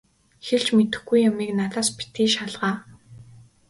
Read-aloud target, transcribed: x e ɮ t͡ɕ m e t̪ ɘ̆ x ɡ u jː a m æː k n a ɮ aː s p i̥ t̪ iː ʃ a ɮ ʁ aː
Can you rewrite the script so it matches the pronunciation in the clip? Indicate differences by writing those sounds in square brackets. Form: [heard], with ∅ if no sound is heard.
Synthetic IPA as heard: x e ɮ t͡ɕ m e t̪ ɘ̆ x ɡ u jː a m [iː] k n a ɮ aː s p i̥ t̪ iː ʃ a ɮ ʁ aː

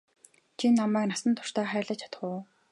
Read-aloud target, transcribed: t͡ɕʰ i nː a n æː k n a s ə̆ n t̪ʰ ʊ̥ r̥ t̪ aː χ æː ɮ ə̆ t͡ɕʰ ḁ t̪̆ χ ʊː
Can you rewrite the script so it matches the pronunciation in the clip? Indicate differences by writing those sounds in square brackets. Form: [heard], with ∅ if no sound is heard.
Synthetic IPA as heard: t͡ɕʰ i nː a [m] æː k n a s ə̆ n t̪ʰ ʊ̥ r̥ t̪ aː χ æː ɮ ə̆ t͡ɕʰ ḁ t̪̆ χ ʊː

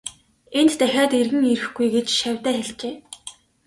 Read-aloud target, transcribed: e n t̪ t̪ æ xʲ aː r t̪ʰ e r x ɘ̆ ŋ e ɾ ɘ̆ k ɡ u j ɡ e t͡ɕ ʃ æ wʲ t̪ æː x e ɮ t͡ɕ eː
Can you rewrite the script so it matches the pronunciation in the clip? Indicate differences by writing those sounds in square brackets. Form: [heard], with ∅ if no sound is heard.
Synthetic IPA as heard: e n t̪ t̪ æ xʲ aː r [t̪] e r [ɣ] ɘ̆ ŋ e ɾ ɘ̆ [x] ɡ u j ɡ e t͡ɕ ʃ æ wʲ t̪ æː x e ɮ t͡ɕ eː

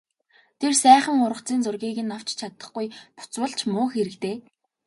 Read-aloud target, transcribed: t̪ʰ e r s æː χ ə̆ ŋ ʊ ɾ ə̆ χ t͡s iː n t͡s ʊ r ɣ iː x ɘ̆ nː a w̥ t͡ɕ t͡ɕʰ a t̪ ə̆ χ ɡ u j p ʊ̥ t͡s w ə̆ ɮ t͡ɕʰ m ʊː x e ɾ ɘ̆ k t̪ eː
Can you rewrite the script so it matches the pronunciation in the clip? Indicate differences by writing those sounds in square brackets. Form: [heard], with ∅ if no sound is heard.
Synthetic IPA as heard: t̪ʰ e r s æː χ ə̆ ŋ ʊ ɾ ə̆ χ t͡s iː n t͡s ʊ r ɣ iː [ɣ] ɘ̆ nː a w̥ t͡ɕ t͡ɕʰ a t̪ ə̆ χ ɡ u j p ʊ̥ t͡s w ə̆ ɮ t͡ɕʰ m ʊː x e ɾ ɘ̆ k t̪ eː

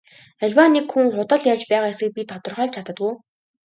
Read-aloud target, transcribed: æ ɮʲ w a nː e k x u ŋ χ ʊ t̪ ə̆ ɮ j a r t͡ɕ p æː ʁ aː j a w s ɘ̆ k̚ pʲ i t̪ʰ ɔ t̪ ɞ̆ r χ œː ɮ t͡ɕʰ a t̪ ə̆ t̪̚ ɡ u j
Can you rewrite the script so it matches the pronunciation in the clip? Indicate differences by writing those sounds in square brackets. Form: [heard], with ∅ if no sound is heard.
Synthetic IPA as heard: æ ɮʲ w a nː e k x u ŋ χ ʊ t̪ ə̆ ɮ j a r t͡ɕ p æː ʁ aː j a [∅] s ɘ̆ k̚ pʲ i t̪ʰ ɔ t̪ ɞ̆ r χ œː ɮ t͡ɕʰ a t̪ ə̆ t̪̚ ɡ u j

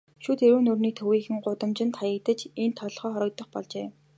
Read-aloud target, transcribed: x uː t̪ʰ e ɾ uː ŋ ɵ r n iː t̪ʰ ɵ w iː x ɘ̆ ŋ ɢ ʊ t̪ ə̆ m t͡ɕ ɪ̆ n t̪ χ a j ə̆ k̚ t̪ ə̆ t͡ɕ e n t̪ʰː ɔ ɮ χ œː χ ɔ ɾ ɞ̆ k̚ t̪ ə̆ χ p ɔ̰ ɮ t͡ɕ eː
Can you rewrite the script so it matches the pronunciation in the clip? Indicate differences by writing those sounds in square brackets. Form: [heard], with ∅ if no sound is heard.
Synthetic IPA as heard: [ʃ] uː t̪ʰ e ɾ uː [n] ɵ r n iː t̪ʰ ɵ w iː x ɘ̆ ŋ ɢ ʊ t̪ ə̆ m t͡ɕ ɪ̆ n t̪ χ a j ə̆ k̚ t̪ ə̆ t͡ɕ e n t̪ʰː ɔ ɮ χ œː χ ɔ ɾ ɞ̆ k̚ t̪ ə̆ χ p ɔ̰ ɮ t͡ɕ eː

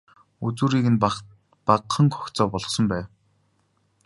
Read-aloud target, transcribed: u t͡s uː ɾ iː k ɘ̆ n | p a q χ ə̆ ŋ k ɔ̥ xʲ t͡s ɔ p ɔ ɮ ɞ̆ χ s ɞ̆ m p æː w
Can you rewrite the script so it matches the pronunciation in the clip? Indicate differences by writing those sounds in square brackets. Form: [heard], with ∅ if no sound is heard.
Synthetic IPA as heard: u t͡s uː ɾ iː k ɘ̆ n | p a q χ ə̆ ŋ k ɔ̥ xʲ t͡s [ɔː] p ɔ ɮ ɞ̆ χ s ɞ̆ m p æː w

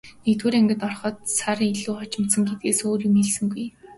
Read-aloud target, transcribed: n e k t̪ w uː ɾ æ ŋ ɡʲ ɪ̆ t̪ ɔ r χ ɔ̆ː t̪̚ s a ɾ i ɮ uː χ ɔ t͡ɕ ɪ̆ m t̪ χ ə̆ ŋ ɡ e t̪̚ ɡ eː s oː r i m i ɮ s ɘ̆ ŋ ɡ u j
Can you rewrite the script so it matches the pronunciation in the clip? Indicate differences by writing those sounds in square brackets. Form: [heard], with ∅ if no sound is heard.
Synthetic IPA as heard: n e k t̪ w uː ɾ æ ŋ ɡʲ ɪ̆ t̪ ɔ r χ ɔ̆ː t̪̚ s a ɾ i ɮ uː χ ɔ t͡ɕ ɪ̆ m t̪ [s] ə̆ ŋ ɡ e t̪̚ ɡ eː s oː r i m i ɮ s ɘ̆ ŋ ɡ u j

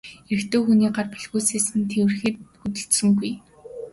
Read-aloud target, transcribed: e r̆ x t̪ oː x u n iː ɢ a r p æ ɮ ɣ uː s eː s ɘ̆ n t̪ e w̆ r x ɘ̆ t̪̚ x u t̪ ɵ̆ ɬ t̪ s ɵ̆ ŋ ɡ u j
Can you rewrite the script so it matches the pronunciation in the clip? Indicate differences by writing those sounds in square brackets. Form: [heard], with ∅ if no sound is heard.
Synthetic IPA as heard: e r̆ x t̪ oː x u n iː ɢ a r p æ ɮ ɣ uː s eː s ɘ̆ n [t̪ʰ] e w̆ r x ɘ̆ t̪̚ x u t̪ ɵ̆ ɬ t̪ s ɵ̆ ŋ ɡ u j

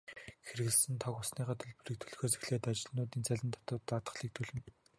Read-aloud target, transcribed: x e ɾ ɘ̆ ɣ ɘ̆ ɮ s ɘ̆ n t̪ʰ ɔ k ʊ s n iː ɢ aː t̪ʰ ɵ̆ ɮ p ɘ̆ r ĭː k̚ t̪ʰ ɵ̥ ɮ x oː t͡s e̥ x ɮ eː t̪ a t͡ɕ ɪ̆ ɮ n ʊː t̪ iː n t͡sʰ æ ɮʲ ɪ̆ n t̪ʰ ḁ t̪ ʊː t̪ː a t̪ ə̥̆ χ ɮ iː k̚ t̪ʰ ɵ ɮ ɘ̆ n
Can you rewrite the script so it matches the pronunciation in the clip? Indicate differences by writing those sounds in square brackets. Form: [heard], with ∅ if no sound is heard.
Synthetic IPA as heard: x e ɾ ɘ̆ ɣ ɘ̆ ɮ s ɘ̆ n t̪ʰ ɔ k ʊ s n iː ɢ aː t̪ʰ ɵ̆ ɮ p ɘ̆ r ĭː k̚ t̪ʰ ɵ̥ ɮ x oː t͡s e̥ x ɮ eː t̪ a t͡ɕ ɪ̆ ɮ n ʊː t̪ iː n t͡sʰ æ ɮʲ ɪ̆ n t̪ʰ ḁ t̪ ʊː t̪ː a t̪ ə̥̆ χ ɮ iː k̚ t̪ʰ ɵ ɮ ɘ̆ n

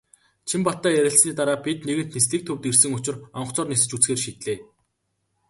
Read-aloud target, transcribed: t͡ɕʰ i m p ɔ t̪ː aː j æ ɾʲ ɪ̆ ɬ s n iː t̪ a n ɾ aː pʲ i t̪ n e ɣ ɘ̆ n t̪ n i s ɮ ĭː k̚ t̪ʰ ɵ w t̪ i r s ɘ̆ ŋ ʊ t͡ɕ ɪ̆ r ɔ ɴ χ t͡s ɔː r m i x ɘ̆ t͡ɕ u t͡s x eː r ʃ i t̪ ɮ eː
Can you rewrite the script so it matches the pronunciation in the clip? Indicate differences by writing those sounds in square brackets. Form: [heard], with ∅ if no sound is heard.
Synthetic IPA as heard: t͡ɕʰ i m p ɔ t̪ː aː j æ ɾʲ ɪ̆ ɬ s n iː t̪ a [∅] ɾ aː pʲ i t̪ n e ɣ ɘ̆ n t̪ n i s ɮ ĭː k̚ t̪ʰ ɵ w t̪ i r s ɘ̆ ŋ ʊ t͡ɕ ɪ̆ r ɔ ɴ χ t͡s ɔː r [n] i [s] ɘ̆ t͡ɕ u t͡s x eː r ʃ i t̪ ɮ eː

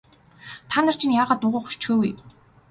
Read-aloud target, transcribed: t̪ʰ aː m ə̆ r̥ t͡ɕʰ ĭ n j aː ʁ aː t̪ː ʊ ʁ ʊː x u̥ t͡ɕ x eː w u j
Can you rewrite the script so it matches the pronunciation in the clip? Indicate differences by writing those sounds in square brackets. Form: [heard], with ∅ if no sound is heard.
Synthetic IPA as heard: t̪ʰ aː [n] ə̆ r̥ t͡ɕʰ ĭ n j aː ʁ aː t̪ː ʊ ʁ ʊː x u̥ t͡ɕ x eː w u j

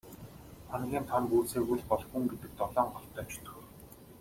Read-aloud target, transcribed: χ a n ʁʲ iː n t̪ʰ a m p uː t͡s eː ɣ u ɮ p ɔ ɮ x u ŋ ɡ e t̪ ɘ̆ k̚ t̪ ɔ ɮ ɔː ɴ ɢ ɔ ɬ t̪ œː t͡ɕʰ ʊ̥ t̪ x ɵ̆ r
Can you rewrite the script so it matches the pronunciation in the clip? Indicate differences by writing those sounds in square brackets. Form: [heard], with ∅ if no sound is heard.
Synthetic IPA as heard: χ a n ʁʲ iː n t̪ʰ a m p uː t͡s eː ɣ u ɮ p ɔ ɮ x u ŋ ɡ e t̪ ɘ̆ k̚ t̪ ɔ ɮ ɔː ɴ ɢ ɔ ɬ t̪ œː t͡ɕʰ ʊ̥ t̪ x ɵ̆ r

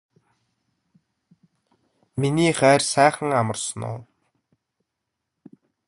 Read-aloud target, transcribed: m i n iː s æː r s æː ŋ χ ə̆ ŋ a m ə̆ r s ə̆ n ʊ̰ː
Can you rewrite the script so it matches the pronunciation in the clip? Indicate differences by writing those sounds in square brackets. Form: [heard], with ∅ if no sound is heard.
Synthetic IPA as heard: m i n iː [χ] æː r s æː [∅] χ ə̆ ŋ a m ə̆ r s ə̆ n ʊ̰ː

